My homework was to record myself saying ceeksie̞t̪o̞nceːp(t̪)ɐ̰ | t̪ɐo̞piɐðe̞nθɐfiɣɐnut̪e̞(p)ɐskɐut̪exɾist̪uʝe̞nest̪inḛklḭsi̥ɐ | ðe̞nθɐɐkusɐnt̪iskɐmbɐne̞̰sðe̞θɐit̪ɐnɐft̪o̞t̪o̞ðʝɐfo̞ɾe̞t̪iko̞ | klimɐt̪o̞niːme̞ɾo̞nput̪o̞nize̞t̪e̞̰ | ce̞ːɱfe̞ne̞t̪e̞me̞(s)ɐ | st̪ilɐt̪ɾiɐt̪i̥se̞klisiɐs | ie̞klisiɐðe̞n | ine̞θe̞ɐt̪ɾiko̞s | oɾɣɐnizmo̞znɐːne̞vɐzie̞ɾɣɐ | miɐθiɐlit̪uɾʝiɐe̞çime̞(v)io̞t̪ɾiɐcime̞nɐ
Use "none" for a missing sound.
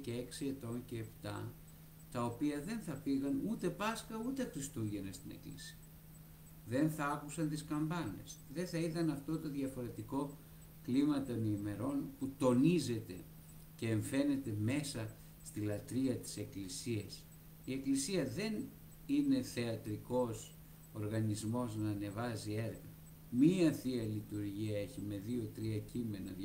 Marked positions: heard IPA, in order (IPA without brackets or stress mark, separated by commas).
t̪, p, s, ð